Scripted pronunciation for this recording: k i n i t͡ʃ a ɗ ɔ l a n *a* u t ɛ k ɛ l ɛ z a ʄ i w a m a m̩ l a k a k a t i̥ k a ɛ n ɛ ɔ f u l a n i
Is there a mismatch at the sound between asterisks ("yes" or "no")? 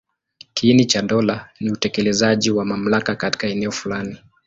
yes